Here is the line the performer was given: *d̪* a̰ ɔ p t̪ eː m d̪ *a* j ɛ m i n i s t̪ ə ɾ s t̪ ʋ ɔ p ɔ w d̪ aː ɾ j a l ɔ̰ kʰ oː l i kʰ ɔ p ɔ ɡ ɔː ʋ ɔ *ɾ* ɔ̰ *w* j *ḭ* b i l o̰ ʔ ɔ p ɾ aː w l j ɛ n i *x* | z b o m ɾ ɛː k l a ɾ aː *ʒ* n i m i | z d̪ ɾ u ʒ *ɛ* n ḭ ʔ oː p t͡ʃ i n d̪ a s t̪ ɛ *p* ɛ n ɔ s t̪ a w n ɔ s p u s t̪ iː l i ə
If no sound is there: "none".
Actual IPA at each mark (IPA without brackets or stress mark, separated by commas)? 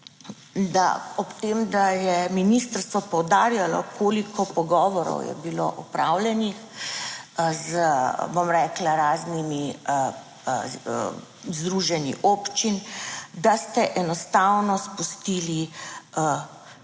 d̪, a, ɾ, w, ɛ̰, x, z, ɛ, ʔ